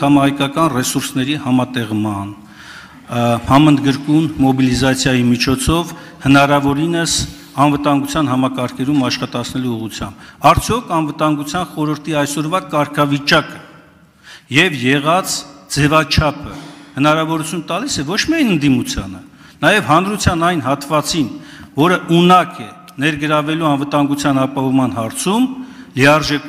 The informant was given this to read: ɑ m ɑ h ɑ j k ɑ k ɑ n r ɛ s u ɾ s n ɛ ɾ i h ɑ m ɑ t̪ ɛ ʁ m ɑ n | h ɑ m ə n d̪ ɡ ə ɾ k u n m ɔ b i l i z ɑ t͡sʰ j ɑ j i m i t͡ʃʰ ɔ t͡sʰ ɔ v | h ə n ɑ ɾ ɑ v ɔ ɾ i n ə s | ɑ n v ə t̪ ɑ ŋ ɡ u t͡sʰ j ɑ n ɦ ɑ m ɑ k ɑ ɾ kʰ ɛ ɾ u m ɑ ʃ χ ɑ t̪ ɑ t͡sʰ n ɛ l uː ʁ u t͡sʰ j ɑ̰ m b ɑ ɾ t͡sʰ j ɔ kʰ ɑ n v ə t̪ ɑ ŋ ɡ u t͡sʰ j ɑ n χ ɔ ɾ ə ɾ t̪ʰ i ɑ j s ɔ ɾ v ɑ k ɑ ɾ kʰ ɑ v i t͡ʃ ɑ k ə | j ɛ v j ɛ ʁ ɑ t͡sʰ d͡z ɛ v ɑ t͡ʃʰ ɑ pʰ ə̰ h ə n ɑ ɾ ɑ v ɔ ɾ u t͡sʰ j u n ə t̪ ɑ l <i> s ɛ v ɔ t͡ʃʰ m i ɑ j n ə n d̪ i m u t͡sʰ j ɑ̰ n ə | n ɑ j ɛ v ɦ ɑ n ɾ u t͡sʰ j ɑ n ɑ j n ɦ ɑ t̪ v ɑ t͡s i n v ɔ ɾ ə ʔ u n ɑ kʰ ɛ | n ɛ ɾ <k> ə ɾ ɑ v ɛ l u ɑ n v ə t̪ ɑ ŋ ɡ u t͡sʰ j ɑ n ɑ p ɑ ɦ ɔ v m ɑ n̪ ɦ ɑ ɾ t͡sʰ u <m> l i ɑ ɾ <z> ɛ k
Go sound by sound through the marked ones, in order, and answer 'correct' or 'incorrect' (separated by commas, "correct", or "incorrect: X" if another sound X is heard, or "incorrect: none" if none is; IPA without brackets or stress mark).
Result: correct, incorrect: ɡ, correct, incorrect: ʒ